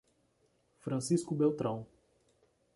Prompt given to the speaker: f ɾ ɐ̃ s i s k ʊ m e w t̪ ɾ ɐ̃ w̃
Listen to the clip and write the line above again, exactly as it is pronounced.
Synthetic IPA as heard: f ɾ ɐ̃ s i s k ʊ b e w t̪ ɾ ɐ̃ w̃